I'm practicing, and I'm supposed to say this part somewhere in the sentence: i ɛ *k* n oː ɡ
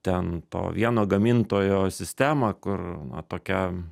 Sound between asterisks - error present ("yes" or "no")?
yes